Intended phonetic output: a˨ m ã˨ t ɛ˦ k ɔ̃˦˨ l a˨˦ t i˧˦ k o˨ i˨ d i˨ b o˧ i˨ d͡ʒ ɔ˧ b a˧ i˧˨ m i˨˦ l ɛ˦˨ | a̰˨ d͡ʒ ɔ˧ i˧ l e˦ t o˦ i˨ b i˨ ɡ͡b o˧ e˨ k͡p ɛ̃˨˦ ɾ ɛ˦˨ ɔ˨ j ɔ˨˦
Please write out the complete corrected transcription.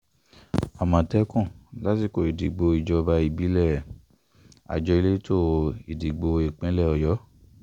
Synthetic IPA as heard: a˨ m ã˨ t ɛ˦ k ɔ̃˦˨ l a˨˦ t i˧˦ k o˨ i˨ d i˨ ɡ͡b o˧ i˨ d͡ʒ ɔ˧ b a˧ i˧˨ b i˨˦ l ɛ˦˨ | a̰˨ d͡ʒ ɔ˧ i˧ l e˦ t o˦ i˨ d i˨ ɡ͡b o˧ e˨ k͡p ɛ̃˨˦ l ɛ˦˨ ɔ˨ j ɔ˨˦